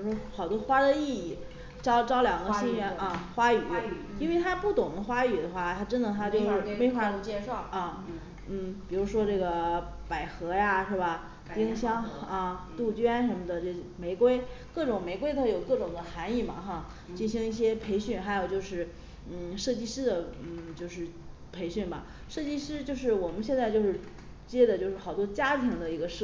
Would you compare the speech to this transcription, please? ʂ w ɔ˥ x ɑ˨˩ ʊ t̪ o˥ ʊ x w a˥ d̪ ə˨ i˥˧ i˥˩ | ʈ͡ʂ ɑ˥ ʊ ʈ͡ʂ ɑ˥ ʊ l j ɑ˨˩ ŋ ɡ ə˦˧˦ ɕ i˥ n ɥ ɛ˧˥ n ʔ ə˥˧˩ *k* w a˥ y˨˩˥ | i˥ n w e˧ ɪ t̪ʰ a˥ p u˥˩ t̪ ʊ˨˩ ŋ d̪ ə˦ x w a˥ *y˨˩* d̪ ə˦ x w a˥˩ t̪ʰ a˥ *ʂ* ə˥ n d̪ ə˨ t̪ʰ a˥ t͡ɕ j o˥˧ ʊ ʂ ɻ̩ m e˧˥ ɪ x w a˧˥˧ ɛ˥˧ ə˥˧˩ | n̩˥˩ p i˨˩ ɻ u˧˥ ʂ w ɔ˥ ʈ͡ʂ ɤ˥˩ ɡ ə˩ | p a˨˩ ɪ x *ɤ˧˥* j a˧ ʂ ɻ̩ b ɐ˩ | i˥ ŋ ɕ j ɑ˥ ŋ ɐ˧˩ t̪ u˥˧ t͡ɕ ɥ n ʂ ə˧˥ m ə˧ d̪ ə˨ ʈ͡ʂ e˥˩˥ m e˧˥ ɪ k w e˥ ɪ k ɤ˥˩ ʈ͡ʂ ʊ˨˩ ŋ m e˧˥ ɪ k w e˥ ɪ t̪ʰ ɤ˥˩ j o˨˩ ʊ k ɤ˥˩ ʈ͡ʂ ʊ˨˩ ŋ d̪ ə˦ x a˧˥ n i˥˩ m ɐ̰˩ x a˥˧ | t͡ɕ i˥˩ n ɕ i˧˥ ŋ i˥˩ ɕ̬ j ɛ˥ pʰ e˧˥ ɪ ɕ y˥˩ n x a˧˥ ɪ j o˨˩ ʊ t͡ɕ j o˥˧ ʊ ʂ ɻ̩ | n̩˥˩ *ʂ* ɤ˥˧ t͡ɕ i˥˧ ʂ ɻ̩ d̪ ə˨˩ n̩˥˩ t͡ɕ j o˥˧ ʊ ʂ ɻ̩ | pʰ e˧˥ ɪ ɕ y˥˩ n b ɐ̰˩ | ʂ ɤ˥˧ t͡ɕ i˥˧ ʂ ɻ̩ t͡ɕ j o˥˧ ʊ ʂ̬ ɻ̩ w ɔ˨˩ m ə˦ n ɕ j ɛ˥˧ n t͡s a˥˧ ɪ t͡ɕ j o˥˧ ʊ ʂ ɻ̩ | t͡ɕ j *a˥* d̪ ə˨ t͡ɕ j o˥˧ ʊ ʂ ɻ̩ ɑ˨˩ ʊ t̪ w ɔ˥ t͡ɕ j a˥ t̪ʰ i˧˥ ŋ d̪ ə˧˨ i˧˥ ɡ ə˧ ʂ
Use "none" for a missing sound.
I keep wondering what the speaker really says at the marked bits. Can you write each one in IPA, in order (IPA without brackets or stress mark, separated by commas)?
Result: x, y˨˩, ʈ͡ʂ, ɤ˧˥, ʂ, ɛ˥